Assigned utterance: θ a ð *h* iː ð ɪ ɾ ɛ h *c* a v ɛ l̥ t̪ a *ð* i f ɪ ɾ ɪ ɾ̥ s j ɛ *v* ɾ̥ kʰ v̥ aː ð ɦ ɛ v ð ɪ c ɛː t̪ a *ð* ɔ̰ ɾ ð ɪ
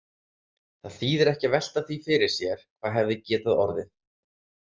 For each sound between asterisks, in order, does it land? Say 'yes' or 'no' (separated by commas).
no, yes, no, no, yes